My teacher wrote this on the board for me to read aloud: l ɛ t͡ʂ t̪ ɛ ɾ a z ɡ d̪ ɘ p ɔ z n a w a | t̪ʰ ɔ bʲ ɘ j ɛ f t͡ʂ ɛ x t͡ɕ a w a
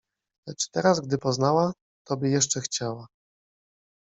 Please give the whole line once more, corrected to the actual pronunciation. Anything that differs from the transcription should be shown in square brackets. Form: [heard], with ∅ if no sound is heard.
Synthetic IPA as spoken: l ɛ t͡ʂ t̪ ɛ ɾ a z ɡ d̪ ɘ p ɔ z n a w a | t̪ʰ ɔ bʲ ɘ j ɛ [ʂ] t͡ʂ ɛ x t͡ɕ a w a